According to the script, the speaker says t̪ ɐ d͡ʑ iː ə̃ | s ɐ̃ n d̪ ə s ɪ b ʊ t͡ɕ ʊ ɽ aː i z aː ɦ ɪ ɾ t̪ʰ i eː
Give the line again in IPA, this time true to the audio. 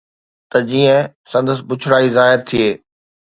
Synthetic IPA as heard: t̪ ɐ d͡ʑ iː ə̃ | s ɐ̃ n d̪ ə s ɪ b ʊ t͡ɕʰ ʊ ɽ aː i z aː ɦ ɪ ɾ t̪ʰ i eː